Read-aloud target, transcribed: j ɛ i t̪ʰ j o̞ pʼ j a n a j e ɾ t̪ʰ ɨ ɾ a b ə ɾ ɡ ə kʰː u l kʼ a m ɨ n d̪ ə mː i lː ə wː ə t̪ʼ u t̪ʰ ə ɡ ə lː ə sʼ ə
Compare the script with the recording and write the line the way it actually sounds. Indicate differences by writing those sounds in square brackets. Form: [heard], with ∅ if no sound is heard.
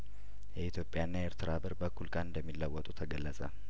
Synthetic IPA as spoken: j ɛ i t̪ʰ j o̞ pʼ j a [nː] a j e ɾ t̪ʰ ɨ ɾ a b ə ɾ [b] ə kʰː u l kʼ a [n] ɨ n d̪ ə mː i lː ə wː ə t̪ʼ u t̪ʰ ə ɡ ə lː ə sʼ ə